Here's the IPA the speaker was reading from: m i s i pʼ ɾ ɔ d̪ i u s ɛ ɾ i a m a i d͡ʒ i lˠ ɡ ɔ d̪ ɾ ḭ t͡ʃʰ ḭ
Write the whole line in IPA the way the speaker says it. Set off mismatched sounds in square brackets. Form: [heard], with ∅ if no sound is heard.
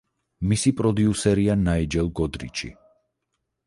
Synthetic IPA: m i s i pʼ ɾ ɔ d̪ i u s ɛ ɾ i a [n] a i d͡ʒ [ɛ] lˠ ɡ ɔ d̪ ɾ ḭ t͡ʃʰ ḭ